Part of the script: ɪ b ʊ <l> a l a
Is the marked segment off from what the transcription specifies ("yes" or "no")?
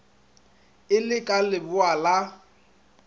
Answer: yes